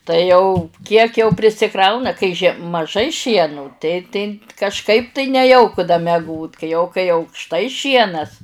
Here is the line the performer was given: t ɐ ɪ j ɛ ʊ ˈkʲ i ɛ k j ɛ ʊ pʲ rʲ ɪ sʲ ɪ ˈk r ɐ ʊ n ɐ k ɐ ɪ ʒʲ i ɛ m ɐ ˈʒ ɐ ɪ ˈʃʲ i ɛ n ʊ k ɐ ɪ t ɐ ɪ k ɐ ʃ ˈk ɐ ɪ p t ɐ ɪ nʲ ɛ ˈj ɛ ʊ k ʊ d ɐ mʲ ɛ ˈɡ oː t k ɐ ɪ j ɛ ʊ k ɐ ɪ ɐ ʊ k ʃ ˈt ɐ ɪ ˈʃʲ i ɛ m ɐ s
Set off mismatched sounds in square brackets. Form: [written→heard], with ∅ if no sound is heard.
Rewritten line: t ɐ ɪ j ɛ ʊ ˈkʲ i ɛ k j ɛ ʊ pʲ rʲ ɪ sʲ ɪ ˈk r ɐ ʊ n ɐ k ɐ ɪ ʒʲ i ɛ m ɐ ˈʒ ɐ ɪ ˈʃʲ i ɛ n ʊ [k→t] ɐ ɪ t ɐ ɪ k ɐ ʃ ˈk ɐ ɪ p t ɐ ɪ nʲ ɛ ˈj ɛ ʊ k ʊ d ɐ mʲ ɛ ˈɡ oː t k ɐ ɪ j ɛ ʊ k ɐ ɪ ɐ ʊ k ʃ ˈt ɐ ɪ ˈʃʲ i ɛ [m→n] ɐ s